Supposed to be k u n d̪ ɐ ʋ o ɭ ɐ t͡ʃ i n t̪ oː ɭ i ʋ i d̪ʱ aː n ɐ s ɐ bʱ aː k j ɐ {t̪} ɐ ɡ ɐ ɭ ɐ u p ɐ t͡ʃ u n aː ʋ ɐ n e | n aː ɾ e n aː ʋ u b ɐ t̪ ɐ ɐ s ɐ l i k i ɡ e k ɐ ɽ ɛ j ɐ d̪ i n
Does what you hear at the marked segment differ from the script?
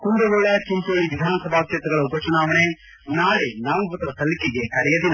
no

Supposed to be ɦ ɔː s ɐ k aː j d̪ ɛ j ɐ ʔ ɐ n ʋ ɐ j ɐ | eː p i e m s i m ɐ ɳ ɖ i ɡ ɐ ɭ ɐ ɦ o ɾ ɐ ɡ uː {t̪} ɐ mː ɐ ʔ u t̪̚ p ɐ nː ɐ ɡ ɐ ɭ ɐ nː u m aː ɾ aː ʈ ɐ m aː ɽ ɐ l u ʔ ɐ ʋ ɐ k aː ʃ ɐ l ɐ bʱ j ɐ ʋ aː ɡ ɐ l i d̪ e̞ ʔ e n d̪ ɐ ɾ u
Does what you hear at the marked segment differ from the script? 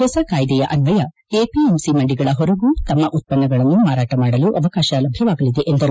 no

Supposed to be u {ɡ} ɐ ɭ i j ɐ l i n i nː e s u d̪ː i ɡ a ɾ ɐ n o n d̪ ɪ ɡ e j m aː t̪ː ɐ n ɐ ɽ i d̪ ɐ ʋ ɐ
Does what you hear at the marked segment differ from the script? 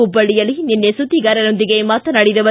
yes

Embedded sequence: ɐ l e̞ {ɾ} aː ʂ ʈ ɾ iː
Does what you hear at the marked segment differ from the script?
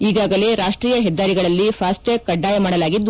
no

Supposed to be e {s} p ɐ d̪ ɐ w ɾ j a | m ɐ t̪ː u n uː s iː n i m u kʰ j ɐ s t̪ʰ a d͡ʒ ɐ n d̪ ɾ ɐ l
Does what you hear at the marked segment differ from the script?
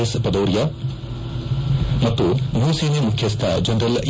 no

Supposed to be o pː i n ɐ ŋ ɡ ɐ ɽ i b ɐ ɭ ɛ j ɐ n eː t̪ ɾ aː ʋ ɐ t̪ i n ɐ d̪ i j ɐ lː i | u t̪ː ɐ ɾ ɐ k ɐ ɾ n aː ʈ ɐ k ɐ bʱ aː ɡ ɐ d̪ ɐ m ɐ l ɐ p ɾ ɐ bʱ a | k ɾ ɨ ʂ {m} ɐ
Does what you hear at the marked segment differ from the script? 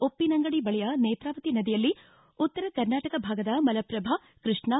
yes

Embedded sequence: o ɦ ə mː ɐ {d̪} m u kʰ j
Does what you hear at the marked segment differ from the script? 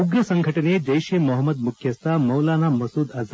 no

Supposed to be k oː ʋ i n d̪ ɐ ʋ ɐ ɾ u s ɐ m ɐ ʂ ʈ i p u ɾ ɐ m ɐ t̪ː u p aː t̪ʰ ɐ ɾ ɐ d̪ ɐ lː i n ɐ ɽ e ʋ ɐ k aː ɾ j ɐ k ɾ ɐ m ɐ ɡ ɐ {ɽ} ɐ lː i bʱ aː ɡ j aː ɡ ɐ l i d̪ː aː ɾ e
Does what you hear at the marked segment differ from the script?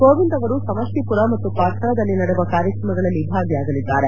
yes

